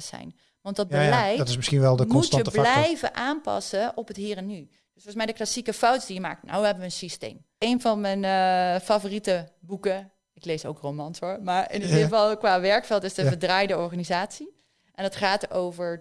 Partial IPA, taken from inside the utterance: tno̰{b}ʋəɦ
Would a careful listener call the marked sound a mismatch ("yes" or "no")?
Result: yes